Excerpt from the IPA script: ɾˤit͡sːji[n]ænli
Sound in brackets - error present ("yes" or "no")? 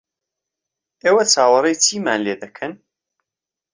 yes